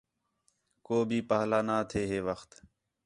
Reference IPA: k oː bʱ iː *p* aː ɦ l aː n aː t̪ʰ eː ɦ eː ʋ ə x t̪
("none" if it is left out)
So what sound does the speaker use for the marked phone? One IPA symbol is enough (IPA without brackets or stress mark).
p